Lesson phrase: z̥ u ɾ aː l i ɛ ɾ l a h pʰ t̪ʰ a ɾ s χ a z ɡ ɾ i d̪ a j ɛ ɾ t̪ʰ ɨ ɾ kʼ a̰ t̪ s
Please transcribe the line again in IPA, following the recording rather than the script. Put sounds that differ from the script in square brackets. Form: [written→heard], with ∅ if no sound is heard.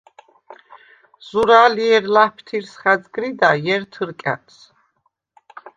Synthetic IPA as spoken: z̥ u ɾ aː l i ɛ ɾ l a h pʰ t̪ʰ [a→i] ɾ s χ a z ɡ ɾ i d̪ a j ɛ ɾ t̪ʰ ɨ ɾ kʼ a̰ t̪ s